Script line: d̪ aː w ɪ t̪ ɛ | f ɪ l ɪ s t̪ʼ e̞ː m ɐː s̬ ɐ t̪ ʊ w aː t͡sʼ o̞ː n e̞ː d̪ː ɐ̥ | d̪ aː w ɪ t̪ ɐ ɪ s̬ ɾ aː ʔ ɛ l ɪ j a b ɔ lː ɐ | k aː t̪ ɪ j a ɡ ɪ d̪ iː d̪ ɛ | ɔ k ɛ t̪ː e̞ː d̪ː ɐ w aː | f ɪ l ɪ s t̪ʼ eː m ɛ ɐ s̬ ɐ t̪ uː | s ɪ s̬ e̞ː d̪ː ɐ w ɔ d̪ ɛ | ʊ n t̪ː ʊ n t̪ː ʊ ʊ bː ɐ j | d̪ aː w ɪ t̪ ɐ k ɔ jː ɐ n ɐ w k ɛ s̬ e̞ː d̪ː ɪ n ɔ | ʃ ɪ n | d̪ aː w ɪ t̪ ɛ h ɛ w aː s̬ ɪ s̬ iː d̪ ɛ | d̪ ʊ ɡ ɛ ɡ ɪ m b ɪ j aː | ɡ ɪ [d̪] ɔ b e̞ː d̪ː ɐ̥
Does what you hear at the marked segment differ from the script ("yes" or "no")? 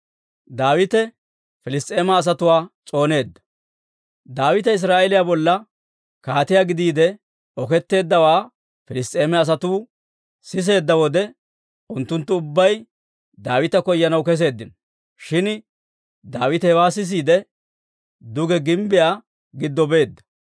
yes